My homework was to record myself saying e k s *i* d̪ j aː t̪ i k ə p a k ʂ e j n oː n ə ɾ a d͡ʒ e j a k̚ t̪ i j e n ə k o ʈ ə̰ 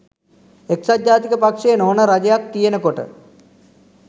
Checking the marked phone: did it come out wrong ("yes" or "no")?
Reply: yes